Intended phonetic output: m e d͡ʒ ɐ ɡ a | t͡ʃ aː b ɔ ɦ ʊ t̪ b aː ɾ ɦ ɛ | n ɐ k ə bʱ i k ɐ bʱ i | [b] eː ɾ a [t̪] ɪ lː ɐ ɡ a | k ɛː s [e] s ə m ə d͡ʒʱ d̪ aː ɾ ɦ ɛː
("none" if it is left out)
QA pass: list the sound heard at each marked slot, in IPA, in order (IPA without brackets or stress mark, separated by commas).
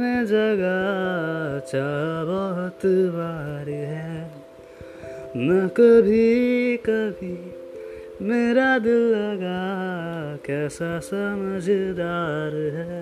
m, d̪, a